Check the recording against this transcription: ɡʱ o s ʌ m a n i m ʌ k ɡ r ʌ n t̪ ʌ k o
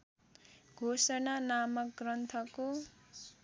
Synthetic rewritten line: ɡʱ o s ʌ n a n a m ʌ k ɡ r ʌ n t̪ʰ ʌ k o